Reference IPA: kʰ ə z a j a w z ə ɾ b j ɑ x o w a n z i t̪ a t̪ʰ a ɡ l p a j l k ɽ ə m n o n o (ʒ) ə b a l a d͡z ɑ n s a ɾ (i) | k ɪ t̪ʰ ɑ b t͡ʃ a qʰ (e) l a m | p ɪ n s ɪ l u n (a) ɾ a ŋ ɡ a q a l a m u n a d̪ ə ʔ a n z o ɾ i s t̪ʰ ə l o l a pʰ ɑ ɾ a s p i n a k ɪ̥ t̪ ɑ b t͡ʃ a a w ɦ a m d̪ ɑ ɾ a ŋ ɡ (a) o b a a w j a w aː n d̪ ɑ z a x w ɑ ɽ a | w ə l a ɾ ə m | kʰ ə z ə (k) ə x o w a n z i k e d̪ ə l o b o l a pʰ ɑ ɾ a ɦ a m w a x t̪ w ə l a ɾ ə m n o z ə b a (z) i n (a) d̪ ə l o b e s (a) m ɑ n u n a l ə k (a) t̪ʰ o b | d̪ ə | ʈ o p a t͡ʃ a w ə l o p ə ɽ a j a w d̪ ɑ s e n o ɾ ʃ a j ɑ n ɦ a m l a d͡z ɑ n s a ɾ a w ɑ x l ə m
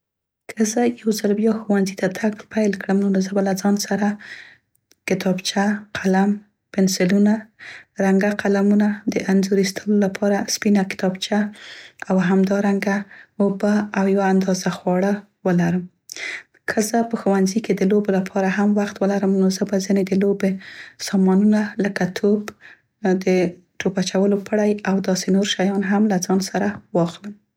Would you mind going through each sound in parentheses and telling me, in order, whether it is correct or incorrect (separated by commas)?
incorrect, incorrect, incorrect, correct, correct, incorrect, correct, incorrect, incorrect, correct